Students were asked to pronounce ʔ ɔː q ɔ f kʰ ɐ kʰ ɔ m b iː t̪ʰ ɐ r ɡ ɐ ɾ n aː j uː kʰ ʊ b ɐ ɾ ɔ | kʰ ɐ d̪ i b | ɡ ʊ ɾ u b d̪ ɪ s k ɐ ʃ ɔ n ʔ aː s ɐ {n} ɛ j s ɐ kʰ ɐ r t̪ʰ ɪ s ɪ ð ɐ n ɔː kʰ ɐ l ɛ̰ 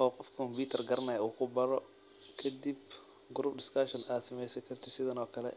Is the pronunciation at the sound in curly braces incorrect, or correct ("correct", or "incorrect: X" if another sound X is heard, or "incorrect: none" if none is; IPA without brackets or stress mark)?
incorrect: m